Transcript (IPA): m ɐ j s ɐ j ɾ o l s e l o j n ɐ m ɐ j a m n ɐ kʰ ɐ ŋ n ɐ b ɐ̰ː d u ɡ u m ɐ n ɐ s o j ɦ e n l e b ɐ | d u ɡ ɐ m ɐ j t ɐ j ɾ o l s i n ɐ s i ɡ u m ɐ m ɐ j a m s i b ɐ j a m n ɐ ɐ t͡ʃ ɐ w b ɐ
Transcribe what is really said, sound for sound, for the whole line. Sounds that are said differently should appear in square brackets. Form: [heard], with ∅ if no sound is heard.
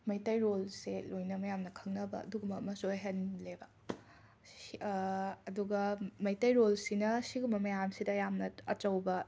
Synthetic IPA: m ɐ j [t] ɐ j ɾ o l s e l o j n ɐ m ɐ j a m n ɐ kʰ ɐ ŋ n ɐ b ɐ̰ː d u ɡ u m ɐ [m] ɐ s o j ɦ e n l e b ɐ | d u ɡ ɐ m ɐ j t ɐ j ɾ o l s i n ɐ s i ɡ u m ɐ m ɐ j a m s i [d] ɐ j a m n ɐ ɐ t͡ʃ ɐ w b ɐ